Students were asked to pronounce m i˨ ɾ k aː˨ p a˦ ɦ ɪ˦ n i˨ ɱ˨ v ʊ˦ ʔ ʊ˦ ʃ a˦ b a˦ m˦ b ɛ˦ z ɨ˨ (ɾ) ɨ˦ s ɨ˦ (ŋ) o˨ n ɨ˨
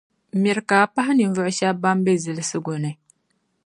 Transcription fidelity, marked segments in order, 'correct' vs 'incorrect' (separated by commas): incorrect, incorrect